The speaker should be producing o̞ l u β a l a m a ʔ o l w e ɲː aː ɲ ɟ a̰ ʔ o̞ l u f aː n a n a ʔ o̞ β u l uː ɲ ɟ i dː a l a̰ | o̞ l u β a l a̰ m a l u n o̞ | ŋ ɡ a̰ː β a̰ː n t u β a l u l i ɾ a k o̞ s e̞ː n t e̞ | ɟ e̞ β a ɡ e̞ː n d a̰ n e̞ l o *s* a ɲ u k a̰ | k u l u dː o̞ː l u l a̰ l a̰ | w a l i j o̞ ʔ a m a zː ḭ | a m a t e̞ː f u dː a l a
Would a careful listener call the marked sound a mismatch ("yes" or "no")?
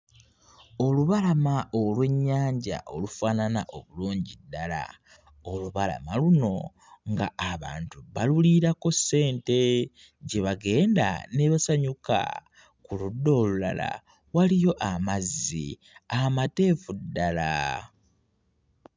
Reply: no